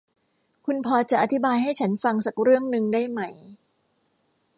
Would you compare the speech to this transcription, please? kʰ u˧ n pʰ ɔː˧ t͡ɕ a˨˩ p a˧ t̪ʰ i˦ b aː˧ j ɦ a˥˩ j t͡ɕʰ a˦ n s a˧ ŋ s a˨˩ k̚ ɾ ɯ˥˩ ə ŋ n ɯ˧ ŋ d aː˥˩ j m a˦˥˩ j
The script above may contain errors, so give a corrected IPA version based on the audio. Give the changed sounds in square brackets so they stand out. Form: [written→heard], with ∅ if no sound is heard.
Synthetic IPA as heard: kʰ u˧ n pʰ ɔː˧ t͡ɕ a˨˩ [p→ʔ] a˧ t̪ʰ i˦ b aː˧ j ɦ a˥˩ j t͡ɕʰ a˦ n [s→f] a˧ ŋ s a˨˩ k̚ ɾ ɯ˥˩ ə ŋ n ɯ˧ ŋ d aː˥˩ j m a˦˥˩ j